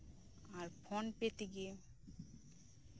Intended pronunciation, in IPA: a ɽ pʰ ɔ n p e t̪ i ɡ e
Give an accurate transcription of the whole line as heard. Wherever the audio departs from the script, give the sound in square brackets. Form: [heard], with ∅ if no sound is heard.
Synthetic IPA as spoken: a [ɾ] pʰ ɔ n p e t̪ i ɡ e